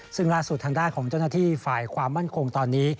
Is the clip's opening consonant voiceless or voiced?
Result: voiceless